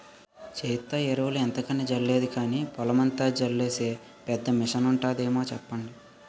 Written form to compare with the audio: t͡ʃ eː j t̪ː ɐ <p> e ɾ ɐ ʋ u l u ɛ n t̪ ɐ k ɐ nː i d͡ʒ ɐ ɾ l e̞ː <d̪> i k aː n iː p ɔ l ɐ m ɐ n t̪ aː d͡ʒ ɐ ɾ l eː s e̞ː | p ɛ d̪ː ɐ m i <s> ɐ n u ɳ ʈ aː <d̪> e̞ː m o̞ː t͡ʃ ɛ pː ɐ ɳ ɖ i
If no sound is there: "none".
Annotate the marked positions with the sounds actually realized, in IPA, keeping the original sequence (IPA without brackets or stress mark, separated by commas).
none, d̪, ʂ, d̪